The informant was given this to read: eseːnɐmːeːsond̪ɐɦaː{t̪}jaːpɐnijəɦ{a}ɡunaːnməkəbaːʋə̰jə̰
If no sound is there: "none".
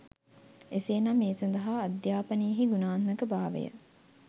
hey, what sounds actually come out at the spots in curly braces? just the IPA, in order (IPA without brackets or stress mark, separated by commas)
d̪, i